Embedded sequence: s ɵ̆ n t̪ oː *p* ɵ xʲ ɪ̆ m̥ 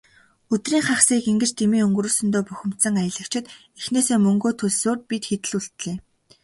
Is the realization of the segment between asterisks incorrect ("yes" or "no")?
no